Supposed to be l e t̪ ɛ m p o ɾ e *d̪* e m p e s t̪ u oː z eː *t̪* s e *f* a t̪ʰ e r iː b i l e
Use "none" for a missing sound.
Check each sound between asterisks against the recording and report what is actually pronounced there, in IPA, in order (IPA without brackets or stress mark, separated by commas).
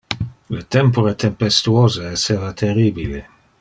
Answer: t̪, none, v